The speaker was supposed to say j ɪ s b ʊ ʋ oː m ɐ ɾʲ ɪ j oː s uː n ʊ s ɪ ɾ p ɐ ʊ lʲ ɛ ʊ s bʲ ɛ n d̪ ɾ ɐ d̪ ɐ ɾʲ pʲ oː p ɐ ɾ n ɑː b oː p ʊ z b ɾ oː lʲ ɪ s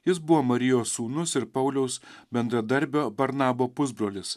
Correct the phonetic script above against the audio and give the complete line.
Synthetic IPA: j ɪ s b ʊ ʋ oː m ɐ ɾʲ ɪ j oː s uː n ʊ s ɪ ɾ p ɐ ʊ lʲ ɛ ʊ s bʲ ɛ n d̪ ɾ ɐ d̪ ɐ ɾʲ bʲ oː b ɐ ɾ n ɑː b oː p ʊ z b ɾ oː lʲ ɪ s